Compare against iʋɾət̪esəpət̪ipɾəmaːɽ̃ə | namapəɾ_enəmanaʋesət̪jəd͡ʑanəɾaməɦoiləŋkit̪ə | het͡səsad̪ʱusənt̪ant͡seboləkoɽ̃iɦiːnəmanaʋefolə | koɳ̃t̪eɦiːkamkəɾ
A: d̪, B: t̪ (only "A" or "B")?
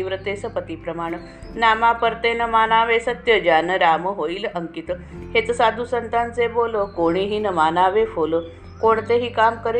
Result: B